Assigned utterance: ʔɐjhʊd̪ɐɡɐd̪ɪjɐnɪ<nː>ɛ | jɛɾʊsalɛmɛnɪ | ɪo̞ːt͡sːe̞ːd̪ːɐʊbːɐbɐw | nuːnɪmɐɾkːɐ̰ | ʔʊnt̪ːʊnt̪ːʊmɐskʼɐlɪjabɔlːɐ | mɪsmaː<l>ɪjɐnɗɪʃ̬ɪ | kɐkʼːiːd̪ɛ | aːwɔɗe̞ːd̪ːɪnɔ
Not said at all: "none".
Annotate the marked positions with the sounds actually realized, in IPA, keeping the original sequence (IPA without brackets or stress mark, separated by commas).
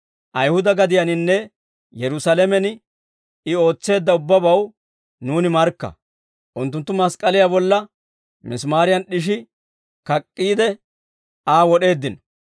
nː, ɾ